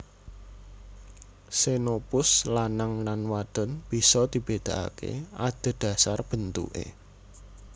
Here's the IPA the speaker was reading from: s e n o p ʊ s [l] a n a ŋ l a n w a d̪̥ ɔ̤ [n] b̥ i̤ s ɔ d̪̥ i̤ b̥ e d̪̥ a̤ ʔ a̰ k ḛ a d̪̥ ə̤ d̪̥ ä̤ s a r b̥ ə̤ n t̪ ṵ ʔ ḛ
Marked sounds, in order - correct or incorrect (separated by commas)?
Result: correct, correct